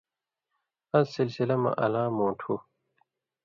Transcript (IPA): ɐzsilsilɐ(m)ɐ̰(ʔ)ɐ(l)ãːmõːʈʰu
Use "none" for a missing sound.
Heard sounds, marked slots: m, ʔ, l

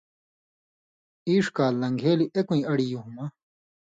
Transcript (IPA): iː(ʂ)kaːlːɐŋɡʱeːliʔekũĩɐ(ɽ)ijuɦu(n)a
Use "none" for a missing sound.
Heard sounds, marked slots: ʂ, ɽ, m

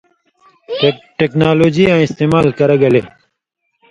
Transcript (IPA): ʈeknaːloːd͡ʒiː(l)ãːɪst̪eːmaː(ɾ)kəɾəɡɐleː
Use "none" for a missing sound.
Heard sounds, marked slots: none, l

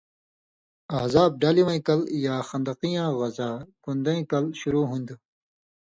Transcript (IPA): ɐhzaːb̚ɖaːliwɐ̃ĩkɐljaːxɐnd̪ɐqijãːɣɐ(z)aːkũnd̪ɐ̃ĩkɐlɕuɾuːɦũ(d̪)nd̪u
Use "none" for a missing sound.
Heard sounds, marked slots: z, none

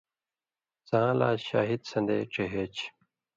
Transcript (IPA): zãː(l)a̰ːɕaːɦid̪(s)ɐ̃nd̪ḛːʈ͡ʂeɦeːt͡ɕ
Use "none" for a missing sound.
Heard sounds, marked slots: l, s

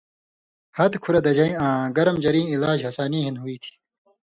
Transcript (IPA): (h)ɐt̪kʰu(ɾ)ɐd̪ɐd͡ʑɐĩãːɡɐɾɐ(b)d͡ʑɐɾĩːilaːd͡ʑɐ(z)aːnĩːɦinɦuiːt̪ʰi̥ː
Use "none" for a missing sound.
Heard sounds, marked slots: h, ɾ, m, s

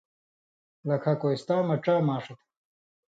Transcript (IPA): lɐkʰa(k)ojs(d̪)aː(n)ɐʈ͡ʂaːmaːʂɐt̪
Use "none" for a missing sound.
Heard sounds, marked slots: k, t̪, m

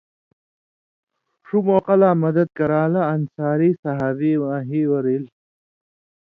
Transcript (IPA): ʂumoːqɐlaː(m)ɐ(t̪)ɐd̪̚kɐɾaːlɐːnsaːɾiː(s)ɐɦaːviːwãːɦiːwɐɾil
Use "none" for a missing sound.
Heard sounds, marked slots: m, d̪, s

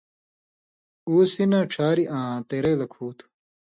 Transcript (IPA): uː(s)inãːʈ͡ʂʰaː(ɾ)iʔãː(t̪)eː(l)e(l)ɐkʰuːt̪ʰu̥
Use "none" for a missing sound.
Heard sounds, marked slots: s, ɾ, t̪, ɾ, l

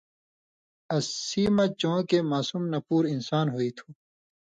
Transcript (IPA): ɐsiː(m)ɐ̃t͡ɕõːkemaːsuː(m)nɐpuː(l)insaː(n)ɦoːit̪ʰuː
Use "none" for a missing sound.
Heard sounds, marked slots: m, m, ɾ, n

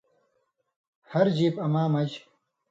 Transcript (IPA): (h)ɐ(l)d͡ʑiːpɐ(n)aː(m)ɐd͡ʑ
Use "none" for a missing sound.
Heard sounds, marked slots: h, ɾ, m, m

